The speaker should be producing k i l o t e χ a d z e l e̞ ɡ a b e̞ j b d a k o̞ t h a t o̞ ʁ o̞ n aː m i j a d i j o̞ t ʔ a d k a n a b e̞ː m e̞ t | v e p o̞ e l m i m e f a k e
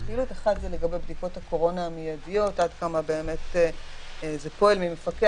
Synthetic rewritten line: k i l u t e χ a d z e l e̞ ɡ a b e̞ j b d i k o̞ t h a k o̞ ʁ o̞ n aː m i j a d i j o̞ t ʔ a d k a m a b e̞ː m e̞ t | z e p o̞ e l m i m e f a k e